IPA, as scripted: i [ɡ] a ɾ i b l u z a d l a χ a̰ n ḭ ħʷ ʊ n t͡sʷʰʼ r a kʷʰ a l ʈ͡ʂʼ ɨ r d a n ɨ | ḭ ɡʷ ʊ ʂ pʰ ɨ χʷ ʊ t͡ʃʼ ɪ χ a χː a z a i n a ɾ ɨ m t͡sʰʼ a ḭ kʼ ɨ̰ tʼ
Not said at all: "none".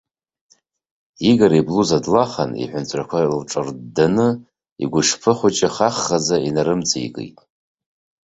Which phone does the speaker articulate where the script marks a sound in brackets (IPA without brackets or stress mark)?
ɡ